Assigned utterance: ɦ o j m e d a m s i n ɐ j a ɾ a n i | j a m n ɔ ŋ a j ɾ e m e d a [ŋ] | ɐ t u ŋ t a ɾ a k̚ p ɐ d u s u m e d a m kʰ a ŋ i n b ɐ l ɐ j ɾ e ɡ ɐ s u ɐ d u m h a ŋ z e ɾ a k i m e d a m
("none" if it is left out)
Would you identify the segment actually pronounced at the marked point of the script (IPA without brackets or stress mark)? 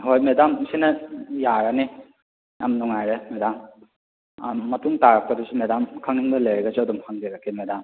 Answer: m